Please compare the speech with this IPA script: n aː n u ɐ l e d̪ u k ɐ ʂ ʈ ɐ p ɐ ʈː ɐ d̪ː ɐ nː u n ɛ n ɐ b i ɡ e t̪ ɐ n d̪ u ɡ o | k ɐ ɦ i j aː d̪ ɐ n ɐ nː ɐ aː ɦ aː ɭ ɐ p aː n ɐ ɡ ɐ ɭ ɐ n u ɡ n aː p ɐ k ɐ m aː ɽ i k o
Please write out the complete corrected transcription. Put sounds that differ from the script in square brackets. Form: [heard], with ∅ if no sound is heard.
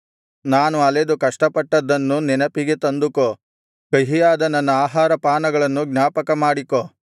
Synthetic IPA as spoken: n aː n u ɐ l e d̪ u k ɐ ʂ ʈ ɐ p ɐ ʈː ɐ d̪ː ɐ nː u n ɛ n ɐ [p] i ɡ e t̪ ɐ n d̪ u [k] o | k ɐ ɦ i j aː d̪ ɐ n ɐ nː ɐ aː ɦ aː [ɾ] ɐ p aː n ɐ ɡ ɐ ɭ ɐ [nː] u ɡ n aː p ɐ k ɐ m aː ɽ i k o